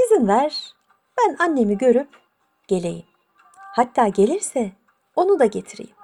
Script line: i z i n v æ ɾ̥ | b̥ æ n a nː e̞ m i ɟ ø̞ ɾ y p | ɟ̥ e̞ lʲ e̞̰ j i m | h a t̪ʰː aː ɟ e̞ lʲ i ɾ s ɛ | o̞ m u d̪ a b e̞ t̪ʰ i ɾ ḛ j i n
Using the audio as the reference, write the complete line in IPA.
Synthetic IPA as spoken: i z i n v æ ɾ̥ | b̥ æ n a nː e̞ m i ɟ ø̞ ɾ y p | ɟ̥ e̞ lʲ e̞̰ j i m | h a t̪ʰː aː ɟ e̞ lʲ i ɾ s ɛ | o̞ n u d̪ a ɟ e̞ t̪ʰ i ɾ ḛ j i m